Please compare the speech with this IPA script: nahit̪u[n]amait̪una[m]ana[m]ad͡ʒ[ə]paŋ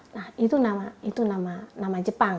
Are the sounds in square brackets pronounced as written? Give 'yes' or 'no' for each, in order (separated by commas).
yes, yes, yes, yes